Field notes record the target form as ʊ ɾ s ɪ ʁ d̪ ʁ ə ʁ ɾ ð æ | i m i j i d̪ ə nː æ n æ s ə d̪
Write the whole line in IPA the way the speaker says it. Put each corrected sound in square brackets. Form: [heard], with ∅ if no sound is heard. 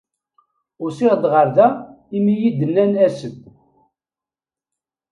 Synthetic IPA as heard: ʊ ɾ s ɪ ʁ d̪ ʁ ə [∅] ɾ ð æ | i m i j i d̪ ə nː æ n æ s ə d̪